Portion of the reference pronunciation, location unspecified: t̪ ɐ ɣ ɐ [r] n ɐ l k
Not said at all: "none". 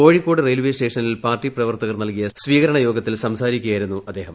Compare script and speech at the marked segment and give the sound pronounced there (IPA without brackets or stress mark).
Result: r